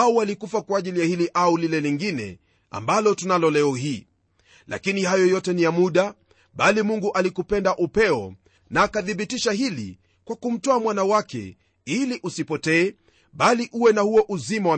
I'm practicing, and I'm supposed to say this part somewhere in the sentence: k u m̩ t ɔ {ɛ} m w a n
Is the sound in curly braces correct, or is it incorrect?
incorrect